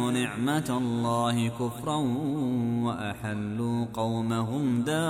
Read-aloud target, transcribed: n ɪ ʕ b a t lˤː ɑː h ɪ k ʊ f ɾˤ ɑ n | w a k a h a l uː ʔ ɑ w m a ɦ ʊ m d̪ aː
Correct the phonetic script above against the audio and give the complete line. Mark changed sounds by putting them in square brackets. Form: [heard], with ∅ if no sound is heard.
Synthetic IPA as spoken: n ɪ ʕ [m] a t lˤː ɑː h ɪ k ʊ f ɾˤ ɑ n | w a [ʔ] a [ħ] a [lː] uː [q] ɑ w m a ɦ ʊ m d̪ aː